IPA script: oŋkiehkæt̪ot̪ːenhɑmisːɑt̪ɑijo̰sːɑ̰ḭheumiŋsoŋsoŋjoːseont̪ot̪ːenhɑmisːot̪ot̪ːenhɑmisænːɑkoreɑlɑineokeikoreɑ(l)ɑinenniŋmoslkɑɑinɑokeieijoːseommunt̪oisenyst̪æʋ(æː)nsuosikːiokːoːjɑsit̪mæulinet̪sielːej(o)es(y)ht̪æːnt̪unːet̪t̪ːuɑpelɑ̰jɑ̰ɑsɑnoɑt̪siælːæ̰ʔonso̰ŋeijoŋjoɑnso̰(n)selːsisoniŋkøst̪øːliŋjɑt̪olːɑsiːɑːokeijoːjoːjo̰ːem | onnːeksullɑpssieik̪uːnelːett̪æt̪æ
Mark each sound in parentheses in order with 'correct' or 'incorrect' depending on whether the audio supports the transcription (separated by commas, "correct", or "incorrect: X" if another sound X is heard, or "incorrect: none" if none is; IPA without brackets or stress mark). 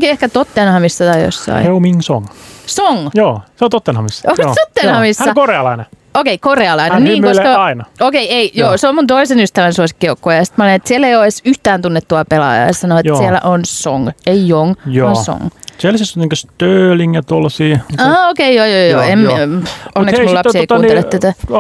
correct, incorrect: æ, correct, correct, incorrect: ŋ